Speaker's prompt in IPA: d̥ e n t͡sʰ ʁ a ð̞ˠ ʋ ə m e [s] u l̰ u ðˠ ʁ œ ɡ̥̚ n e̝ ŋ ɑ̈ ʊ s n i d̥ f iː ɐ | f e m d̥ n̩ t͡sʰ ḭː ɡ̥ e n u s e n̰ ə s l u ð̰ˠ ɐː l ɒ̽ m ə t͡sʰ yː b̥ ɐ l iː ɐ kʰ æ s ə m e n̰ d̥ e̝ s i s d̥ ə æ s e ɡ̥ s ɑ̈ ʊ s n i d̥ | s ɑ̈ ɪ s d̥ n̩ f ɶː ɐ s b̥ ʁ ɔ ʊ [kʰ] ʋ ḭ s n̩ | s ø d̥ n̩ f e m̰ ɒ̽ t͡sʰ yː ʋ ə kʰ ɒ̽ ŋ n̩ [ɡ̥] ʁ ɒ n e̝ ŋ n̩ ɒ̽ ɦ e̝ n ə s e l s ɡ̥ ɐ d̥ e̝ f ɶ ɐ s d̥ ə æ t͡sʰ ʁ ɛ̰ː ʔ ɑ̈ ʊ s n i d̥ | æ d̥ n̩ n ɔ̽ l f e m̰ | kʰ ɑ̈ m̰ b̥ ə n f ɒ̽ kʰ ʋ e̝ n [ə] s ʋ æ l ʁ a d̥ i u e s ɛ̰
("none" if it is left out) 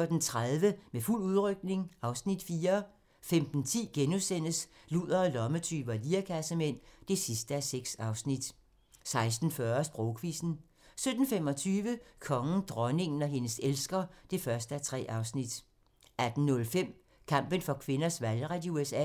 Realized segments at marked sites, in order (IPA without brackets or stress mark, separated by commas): f, kʰ, d̥, ɐ